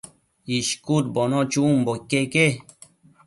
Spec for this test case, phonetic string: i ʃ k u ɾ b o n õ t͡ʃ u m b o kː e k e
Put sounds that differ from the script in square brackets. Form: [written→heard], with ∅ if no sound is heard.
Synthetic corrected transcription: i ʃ k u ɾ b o n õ t͡ʃ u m b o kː e k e